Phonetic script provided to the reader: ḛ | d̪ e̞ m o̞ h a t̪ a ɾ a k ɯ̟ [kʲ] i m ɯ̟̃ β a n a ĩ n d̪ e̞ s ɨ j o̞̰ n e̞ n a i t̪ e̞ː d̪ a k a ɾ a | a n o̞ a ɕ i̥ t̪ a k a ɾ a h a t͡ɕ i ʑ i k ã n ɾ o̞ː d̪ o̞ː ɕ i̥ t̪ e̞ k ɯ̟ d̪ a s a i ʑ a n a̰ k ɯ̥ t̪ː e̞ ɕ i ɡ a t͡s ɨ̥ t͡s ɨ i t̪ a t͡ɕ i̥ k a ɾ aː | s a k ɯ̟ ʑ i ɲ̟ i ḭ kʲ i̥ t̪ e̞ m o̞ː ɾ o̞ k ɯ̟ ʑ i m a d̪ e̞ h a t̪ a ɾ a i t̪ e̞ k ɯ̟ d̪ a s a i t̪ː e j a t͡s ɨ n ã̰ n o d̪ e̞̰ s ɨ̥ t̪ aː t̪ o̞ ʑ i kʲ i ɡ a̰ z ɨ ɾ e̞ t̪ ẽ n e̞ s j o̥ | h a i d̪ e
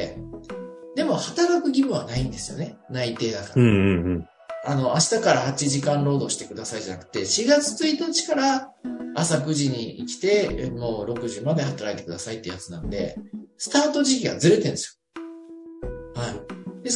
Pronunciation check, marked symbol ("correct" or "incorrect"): incorrect